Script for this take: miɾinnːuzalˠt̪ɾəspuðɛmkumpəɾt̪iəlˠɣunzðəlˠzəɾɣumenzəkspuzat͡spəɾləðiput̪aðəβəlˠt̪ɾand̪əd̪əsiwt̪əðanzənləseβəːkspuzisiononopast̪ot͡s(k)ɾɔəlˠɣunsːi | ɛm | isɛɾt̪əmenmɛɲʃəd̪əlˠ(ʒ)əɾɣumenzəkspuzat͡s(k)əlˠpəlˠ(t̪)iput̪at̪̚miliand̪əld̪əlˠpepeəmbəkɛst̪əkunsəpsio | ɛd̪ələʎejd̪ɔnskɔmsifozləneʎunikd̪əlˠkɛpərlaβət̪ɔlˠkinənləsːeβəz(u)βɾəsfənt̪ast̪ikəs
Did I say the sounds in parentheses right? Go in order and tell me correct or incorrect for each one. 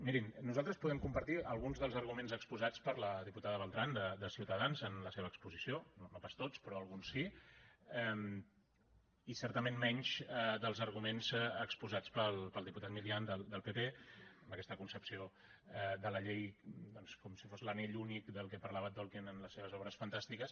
incorrect: p, incorrect: z, incorrect: p, incorrect: d̪, incorrect: ɔ

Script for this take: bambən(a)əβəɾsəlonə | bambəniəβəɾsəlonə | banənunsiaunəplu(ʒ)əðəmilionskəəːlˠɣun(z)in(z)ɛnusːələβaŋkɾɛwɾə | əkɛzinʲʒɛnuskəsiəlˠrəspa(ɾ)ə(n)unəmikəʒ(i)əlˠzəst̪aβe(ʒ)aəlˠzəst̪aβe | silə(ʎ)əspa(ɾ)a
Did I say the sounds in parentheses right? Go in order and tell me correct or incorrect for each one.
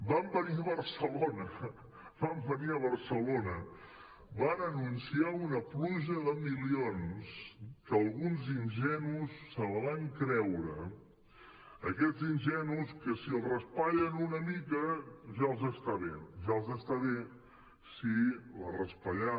incorrect: i, correct, correct, incorrect: ʒ, incorrect: ʎ, correct, incorrect: a, correct, incorrect: r, incorrect: ʎ

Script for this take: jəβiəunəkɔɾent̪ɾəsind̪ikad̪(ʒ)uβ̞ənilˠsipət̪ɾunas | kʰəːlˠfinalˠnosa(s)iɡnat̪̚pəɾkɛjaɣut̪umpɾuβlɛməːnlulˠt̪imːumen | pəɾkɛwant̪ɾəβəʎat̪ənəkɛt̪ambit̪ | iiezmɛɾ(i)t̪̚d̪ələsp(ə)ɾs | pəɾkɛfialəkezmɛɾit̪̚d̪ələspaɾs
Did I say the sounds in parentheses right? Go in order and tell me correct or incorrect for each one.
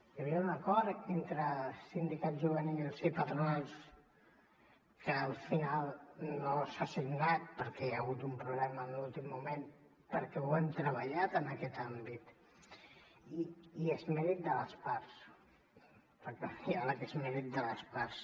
correct, correct, correct, incorrect: a

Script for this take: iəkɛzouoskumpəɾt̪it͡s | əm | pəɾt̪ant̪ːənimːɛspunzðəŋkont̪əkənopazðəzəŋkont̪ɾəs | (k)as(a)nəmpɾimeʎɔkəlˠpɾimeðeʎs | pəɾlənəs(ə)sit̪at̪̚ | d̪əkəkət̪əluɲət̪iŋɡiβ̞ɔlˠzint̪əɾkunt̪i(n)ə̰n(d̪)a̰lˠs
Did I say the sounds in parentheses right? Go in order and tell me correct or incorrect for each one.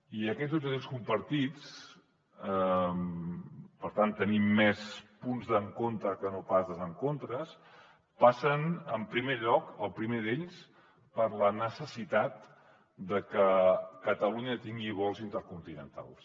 incorrect: p, incorrect: ə, correct, correct, incorrect: t̪

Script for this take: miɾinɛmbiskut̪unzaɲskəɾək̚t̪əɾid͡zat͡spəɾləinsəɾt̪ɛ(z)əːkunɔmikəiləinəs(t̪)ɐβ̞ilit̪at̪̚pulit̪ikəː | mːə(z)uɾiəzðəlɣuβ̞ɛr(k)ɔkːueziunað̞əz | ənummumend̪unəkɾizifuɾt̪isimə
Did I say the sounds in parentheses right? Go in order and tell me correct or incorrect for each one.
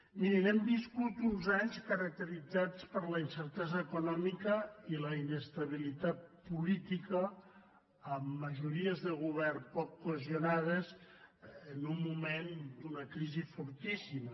correct, correct, incorrect: ʒ, incorrect: p

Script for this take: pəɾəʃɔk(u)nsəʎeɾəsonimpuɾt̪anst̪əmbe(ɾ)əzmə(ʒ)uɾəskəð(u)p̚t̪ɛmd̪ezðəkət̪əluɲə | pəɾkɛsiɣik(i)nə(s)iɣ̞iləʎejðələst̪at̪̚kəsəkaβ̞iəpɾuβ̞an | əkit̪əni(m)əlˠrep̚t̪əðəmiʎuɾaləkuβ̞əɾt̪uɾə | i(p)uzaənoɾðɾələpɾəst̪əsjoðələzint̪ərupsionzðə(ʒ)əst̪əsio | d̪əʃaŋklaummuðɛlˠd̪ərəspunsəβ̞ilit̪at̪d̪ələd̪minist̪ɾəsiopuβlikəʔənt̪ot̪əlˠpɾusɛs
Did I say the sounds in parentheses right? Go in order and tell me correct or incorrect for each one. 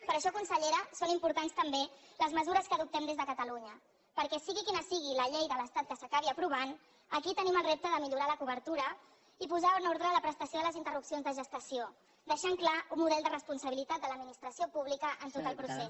correct, incorrect: l, incorrect: z, correct, correct, correct, correct, correct, correct

